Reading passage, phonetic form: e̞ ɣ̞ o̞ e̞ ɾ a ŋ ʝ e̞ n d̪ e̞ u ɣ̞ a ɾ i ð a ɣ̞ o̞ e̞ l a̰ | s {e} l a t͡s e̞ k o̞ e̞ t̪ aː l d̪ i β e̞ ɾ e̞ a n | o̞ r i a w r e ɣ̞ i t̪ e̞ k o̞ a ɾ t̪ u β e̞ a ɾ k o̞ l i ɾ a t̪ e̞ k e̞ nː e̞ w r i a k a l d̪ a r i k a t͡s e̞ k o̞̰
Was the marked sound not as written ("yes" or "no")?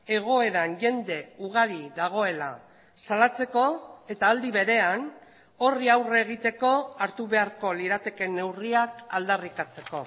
yes